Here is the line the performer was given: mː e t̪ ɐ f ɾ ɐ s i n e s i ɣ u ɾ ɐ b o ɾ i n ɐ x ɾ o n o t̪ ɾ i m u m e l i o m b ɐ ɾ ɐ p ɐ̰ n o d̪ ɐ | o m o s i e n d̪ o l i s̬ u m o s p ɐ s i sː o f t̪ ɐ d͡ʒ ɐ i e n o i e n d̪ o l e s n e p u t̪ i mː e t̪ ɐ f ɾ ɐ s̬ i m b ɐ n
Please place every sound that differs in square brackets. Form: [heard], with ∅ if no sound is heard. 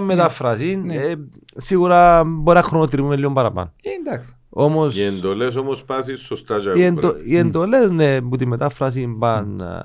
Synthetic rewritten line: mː e t̪ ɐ f ɾ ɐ s i n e s i ɣ u ɾ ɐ b o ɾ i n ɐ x ɾ o n o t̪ ɾ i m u m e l i o m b ɐ ɾ ɐ p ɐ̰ n o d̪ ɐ | o m o s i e n d̪ o l [e] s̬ [o] m o s p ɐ s i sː o [s] t̪ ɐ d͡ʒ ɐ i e n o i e n d̪ o l e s n e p u t̪ i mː e t̪ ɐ f ɾ ɐ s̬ i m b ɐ n